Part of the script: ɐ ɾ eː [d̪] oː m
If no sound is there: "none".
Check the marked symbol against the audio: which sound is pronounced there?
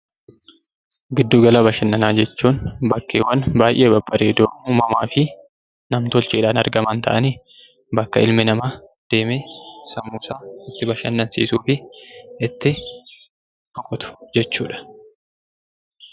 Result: d̪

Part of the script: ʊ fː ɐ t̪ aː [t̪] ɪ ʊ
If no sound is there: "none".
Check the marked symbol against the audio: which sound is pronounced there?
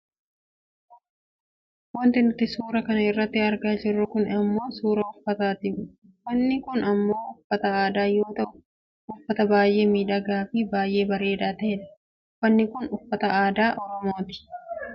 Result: t̪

